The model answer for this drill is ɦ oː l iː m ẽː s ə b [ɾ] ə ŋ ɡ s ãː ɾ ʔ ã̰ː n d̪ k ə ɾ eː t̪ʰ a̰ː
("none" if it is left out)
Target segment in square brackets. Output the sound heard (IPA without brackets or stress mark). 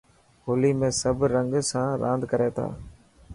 ɾ